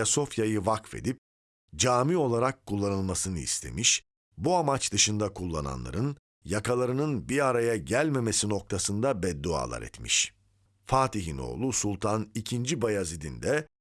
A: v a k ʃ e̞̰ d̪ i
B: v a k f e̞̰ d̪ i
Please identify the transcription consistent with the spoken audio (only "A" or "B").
B